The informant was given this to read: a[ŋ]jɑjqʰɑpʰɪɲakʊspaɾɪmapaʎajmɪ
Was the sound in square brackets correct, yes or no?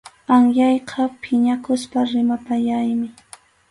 yes